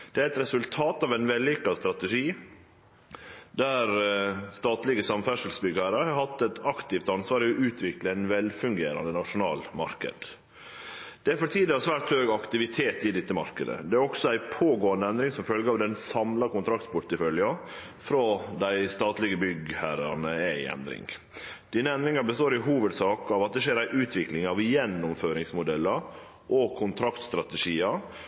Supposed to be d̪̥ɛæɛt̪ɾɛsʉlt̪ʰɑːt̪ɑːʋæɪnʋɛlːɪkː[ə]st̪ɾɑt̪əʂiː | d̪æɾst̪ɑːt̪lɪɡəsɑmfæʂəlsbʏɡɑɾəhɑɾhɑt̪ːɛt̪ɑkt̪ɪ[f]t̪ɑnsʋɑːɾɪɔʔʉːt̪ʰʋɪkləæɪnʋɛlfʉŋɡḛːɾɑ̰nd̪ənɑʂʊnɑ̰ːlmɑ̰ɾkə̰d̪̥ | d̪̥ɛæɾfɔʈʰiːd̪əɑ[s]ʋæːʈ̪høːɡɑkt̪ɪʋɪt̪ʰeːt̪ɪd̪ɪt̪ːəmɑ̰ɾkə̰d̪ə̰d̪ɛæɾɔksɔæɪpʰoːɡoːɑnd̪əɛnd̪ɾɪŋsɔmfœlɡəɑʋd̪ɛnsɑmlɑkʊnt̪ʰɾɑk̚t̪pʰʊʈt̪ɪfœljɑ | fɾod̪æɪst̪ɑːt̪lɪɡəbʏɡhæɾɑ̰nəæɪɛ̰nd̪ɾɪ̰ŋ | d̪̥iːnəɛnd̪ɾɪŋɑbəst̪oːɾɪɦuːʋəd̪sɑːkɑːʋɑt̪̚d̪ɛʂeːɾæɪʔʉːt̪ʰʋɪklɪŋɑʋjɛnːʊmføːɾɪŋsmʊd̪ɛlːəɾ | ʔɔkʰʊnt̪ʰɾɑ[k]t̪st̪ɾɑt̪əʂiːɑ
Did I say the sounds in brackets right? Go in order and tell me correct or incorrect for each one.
incorrect: ɑ, correct, correct, correct

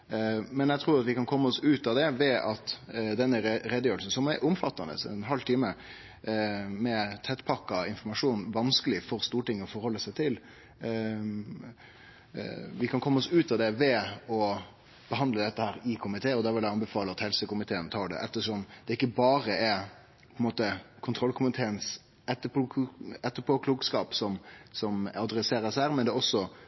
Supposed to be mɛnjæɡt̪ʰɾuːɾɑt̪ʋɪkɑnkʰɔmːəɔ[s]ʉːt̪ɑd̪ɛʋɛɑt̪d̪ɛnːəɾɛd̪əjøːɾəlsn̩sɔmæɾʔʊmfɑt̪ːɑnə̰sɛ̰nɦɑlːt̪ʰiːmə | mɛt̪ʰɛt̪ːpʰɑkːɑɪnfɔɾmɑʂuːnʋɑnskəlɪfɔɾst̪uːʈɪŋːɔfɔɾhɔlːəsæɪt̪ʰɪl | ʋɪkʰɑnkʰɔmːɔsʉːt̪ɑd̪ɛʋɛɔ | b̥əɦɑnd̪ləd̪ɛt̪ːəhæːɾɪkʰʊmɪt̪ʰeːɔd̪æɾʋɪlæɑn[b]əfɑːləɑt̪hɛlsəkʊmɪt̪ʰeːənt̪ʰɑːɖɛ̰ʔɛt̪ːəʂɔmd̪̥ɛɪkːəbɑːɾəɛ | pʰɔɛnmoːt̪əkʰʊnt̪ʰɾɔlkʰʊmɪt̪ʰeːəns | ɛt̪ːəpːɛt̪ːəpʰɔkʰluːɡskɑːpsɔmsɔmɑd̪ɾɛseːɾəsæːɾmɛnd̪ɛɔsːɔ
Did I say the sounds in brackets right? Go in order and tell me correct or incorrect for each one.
correct, correct

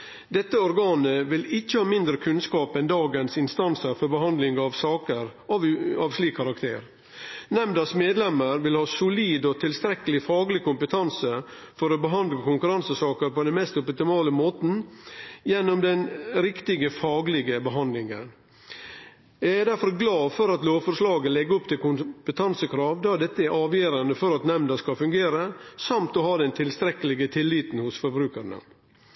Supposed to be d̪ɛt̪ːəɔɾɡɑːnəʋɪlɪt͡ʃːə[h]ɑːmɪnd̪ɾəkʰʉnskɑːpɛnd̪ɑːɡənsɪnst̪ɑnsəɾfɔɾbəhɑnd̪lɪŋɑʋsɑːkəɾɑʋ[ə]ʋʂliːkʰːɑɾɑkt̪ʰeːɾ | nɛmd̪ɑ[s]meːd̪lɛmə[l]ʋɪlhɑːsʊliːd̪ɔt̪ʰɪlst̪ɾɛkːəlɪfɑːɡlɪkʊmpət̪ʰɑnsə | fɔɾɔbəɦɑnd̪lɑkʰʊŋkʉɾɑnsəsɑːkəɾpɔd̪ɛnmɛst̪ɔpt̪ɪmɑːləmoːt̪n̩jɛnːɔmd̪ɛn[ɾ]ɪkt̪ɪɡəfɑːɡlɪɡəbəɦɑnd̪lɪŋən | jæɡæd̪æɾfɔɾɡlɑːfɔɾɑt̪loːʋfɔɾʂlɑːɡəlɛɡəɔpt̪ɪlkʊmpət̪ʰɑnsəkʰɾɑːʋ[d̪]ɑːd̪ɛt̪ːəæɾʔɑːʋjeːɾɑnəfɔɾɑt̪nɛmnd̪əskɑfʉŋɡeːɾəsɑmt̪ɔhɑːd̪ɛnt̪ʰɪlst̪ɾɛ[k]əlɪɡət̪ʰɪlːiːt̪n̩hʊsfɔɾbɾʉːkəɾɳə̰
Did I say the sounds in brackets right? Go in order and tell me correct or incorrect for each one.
correct, incorrect: ɑ, correct, incorrect: ɾ, correct, correct, correct

